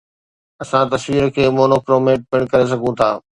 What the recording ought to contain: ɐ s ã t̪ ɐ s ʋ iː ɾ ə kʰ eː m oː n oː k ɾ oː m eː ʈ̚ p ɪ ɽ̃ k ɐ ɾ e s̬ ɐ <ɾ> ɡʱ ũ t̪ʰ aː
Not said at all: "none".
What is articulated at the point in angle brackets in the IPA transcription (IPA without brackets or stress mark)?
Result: none